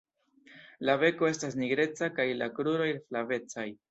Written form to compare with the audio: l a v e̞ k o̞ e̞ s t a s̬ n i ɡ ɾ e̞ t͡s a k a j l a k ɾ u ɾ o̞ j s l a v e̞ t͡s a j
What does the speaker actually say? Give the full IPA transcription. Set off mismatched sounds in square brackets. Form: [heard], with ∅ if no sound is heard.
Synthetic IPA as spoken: l a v e̞ k o̞ e̞ s t a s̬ n i ɡ ɾ e̞ t͡s a k a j l a k ɾ u ɾ o̞ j [f] l a v e̞ t͡s a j